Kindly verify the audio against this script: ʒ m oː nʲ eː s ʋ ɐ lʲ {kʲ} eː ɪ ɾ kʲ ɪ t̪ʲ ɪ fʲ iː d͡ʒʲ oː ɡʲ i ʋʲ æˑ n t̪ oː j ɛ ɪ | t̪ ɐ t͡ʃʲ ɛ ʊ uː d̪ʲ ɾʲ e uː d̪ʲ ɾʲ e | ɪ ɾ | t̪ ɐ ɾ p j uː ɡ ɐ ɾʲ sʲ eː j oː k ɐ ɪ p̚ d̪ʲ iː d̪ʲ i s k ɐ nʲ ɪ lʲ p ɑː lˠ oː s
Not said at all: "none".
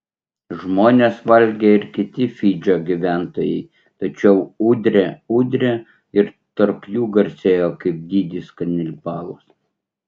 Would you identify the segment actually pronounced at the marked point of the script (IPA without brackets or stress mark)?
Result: ɡʲ